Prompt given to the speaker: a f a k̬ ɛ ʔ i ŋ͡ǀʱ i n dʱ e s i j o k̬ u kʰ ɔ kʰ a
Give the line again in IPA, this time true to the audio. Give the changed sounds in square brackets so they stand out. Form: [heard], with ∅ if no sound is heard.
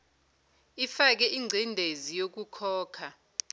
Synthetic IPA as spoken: [i] f a k̬ ɛ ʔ i ŋ͡ǀʱ i n dʱ e [z] i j o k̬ u kʰ [ɔː] kʰ a